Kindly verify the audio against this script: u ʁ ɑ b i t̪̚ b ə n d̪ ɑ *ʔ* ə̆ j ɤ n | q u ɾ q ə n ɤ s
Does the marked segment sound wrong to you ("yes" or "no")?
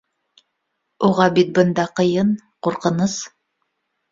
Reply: yes